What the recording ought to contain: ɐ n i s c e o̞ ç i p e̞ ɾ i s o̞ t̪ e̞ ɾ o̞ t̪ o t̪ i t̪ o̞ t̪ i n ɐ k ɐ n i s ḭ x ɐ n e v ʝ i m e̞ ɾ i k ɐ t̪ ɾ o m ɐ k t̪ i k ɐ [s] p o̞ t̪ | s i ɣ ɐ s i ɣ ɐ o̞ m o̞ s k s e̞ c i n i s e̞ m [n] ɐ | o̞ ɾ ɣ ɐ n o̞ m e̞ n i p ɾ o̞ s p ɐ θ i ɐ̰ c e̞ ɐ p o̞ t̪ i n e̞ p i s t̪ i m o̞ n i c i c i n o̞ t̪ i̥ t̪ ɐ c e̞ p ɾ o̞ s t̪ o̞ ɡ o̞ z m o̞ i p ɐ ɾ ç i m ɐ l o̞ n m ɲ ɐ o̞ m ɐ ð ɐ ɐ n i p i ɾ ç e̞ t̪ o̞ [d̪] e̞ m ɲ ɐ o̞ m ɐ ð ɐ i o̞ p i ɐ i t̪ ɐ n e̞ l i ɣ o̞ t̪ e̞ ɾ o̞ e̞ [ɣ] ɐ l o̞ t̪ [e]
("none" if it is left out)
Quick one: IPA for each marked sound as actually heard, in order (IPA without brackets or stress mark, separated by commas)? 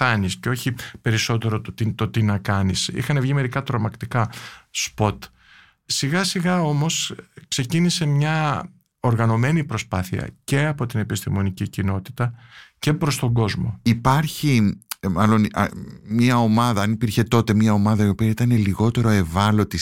s, ɲ, t̪, v, i